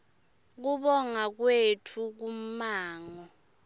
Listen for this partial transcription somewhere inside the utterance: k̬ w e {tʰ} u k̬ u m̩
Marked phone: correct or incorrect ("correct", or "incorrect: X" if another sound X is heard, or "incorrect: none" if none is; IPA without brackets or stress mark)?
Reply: correct